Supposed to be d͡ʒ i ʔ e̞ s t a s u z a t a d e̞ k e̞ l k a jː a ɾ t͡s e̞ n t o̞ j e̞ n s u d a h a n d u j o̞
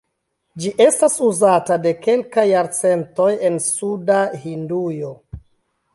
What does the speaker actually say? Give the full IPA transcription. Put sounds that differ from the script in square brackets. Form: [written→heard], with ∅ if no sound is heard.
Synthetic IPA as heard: d͡ʒ i ʔ e̞ s t a s u z a t a d e̞ k e̞ l k a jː a ɾ t͡s e̞ n t o̞ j e̞ n s u d a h [a→i] n d u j o̞